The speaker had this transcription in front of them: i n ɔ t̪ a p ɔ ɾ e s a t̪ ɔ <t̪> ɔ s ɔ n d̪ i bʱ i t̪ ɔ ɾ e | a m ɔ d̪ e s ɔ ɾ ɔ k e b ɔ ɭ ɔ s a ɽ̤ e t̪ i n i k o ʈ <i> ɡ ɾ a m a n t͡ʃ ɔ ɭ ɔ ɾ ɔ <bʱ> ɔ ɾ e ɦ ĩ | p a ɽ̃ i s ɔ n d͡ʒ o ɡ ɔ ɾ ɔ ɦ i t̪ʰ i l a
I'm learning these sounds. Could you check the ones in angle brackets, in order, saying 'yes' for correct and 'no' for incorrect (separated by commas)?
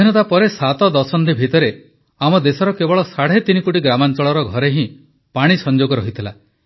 no, yes, no